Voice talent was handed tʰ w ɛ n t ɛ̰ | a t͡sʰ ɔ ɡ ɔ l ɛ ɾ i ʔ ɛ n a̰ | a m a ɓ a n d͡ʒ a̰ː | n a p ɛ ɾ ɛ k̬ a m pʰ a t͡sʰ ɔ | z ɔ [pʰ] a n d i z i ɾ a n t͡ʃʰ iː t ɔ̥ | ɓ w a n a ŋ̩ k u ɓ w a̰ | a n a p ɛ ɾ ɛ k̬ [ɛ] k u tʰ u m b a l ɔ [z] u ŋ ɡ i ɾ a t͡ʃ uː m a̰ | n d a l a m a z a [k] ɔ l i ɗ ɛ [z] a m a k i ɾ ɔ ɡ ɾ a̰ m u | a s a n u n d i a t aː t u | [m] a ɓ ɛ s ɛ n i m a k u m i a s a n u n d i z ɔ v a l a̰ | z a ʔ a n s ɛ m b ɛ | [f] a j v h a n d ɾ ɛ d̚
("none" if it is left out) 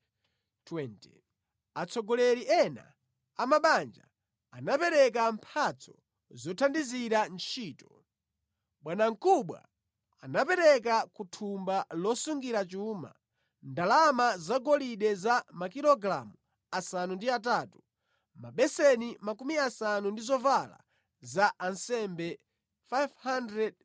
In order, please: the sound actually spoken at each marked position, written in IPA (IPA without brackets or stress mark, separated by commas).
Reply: tʰ, a, s, ɡ, z, m, f